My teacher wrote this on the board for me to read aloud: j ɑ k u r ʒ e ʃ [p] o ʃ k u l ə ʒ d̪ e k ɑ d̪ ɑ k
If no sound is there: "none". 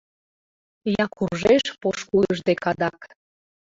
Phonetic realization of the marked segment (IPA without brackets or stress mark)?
p